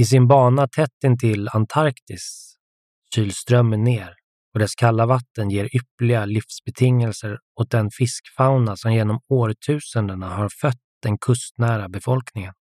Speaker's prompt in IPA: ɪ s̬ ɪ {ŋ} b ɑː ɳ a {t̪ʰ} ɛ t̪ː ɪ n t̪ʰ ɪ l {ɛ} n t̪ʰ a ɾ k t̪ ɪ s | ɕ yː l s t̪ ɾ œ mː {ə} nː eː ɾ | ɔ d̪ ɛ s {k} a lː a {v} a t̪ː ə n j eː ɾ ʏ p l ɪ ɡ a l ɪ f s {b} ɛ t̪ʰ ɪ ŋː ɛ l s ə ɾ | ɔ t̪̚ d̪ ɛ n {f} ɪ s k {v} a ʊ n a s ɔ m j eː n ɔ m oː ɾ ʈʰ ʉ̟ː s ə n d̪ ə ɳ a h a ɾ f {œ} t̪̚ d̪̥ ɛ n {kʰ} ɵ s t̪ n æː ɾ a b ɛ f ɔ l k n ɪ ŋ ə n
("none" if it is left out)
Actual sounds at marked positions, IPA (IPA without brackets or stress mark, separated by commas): n, t̪ʰ, a, ə, kʰ, v, b, f, f, œ, kʰ